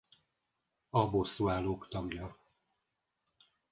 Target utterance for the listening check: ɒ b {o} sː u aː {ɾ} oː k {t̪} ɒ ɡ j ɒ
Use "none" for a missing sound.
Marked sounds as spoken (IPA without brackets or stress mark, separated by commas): o, l, t̪